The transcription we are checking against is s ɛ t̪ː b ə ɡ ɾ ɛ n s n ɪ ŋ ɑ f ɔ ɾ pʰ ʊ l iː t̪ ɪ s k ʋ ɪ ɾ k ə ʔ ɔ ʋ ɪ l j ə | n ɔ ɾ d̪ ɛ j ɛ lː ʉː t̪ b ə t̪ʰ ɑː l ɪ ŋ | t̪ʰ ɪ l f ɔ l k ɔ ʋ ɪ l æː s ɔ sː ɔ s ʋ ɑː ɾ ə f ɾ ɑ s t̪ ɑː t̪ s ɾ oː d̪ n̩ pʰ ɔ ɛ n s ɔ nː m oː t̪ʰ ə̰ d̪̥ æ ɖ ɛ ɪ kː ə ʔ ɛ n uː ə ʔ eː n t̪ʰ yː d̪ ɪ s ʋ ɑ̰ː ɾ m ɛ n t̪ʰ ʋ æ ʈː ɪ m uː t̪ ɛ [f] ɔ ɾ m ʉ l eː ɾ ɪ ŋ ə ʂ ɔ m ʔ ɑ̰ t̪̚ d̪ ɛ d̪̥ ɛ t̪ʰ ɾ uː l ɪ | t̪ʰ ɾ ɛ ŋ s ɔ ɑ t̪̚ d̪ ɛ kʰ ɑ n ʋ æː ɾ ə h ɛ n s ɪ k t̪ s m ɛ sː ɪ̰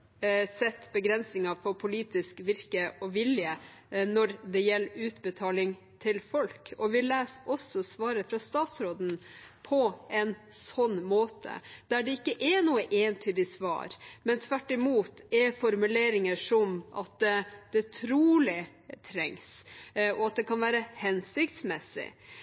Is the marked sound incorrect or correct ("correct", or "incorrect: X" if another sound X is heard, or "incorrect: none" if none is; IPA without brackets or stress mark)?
correct